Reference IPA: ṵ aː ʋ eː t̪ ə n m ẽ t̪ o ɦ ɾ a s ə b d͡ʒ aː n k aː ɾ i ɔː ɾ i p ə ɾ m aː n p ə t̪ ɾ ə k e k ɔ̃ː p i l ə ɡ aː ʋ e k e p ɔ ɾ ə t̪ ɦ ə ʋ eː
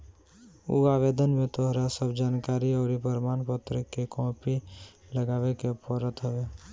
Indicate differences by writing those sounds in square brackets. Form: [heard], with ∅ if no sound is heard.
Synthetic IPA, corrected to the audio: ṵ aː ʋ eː [d̪] ə n m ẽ t̪ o ɦ ɾ a s ə b d͡ʒ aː n k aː ɾ i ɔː ɾ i p ə ɾ m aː n p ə t̪ ɾ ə k e k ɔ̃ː p i l ə ɡ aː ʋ e k e p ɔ ɾ ə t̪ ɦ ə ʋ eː